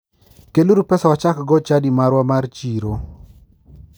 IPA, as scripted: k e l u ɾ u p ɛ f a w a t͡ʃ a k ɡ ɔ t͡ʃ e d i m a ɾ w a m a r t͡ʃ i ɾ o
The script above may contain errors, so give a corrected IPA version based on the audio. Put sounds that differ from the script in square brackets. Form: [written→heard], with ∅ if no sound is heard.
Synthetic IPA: k e l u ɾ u p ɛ [f→s] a w a t͡ʃ a k ɡ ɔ t͡ʃ [e→a] d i m a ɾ w a m a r t͡ʃ i ɾ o